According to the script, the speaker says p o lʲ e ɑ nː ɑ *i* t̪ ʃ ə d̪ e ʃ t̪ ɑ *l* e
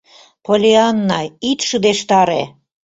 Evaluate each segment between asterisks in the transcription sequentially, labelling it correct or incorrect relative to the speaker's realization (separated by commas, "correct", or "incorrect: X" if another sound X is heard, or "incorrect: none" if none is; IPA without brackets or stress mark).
correct, incorrect: ɾ